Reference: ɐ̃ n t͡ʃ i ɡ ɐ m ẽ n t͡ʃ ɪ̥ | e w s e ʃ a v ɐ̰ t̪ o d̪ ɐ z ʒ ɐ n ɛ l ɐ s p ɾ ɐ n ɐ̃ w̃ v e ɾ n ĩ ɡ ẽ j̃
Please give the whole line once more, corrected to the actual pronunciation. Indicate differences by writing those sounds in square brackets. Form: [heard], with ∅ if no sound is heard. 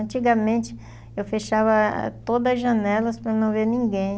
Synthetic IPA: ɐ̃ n t͡ʃ i ɡ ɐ m ẽ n t͡ʃ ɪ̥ | e w [f] e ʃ a v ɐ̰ t̪ o d̪ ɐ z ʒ ɐ n ɛ l ɐ s p ɾ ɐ n ɐ̃ w̃ v e ɾ n ĩ ɡ ẽ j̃